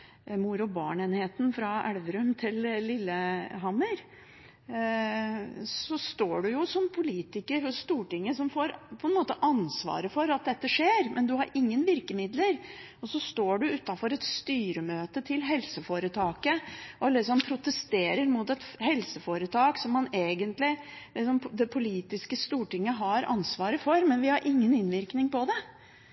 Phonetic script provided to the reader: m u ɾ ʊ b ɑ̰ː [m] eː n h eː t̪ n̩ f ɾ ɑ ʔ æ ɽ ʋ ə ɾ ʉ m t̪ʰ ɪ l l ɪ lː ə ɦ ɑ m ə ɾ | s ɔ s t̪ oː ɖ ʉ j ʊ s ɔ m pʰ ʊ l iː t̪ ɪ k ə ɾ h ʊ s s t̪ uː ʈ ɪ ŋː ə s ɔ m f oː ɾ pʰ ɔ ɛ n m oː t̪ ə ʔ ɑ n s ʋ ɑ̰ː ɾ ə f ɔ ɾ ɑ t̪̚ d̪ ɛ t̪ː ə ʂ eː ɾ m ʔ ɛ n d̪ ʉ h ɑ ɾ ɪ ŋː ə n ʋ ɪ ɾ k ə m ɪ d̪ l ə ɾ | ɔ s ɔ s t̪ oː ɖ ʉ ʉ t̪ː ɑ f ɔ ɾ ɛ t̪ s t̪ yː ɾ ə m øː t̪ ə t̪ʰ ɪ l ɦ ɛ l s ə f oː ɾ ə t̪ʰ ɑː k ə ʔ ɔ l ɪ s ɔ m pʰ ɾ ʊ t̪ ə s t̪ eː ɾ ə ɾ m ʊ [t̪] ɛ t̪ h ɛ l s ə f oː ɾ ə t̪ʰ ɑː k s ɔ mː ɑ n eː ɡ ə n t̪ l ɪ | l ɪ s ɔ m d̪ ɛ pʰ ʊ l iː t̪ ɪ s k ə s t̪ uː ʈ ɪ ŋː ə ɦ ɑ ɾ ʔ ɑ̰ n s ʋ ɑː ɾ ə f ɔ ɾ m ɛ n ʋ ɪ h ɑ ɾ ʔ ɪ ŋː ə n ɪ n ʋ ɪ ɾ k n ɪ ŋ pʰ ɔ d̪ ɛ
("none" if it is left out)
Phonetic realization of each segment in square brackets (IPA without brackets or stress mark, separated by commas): ɳ, t̪